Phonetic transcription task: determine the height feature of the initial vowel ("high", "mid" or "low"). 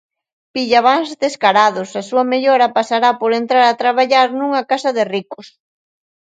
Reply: high